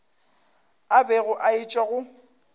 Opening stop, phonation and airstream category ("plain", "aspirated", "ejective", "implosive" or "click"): plain